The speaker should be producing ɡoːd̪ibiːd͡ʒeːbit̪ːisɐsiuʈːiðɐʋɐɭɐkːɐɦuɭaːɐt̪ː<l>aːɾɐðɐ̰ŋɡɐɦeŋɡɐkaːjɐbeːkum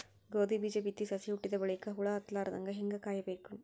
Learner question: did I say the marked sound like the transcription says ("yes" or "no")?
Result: yes